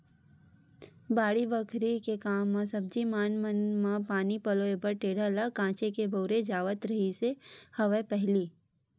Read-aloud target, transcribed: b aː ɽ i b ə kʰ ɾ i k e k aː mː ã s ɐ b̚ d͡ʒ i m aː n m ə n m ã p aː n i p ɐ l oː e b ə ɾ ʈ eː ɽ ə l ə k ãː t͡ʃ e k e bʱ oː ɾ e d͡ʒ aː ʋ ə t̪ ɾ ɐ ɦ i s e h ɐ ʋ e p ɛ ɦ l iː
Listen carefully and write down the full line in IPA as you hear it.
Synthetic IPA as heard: b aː ɽ i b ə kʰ ɾ i k e k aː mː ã s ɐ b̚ d͡ʒ i m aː n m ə n m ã p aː n i p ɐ l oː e b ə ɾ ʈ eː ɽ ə l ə k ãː t͡ʃ e k e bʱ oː ɾ e d͡ʒ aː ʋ ə t̪ ɾ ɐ ɦ i s e h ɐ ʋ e p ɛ ɦ l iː